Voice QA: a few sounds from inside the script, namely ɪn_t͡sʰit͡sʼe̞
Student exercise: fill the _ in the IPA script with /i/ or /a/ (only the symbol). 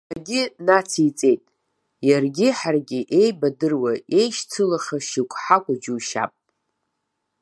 a